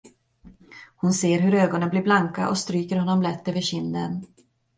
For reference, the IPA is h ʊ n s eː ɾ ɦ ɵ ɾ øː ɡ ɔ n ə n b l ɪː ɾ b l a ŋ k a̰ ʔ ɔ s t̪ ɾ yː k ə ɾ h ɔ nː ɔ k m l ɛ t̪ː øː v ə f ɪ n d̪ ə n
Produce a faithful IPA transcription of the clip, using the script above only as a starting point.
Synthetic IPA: h ʊ n s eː ɾ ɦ ɵ ɾ øː ɡ ɔ n ə n b l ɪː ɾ b l a ŋ k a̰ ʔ ɔ s t̪ ɾ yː k ə ɾ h ɔ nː ɔ m l ɛ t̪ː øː v ə ɕ ɪ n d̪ ə n